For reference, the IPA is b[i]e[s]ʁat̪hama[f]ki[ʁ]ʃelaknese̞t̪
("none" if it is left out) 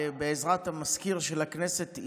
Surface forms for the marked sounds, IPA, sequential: e, z, s, ʁ

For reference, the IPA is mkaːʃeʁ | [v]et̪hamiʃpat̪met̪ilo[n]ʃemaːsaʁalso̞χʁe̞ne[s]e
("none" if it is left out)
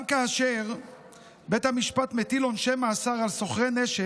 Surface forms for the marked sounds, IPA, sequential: b, n, ʃ

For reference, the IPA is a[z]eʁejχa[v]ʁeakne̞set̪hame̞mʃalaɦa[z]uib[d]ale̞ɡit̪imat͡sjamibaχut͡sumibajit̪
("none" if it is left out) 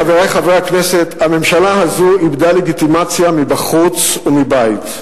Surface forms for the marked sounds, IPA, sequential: v, v, z, d

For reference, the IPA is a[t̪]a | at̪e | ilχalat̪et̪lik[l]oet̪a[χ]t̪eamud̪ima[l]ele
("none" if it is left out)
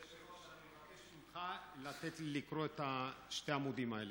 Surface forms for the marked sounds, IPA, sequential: none, ɾ, ʃ, none

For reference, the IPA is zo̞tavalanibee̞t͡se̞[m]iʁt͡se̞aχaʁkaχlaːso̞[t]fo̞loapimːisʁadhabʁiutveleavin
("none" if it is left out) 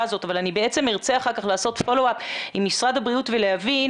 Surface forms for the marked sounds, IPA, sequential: m, t

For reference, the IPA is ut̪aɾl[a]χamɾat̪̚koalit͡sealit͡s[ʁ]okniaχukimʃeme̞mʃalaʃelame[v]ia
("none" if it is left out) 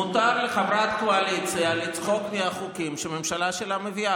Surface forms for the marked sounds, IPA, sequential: e, χ, v

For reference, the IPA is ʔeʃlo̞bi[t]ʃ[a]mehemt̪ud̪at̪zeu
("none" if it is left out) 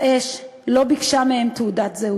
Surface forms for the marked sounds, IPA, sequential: k, a

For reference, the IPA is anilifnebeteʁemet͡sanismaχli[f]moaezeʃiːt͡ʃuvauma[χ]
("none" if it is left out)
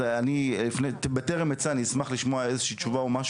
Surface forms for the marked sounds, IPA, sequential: ʃ, ʃ

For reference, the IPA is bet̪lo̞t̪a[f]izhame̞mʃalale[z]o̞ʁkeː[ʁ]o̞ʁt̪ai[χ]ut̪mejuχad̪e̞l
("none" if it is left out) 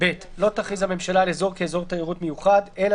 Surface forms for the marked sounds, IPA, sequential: χ, z, z, ʁ

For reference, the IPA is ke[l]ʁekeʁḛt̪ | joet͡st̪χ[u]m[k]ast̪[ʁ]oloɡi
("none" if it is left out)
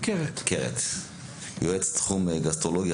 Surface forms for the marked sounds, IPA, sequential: none, u, ɡ, ʁ

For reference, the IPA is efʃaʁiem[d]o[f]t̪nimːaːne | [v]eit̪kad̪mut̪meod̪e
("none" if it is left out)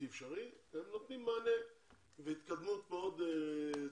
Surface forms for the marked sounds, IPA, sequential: n, none, v

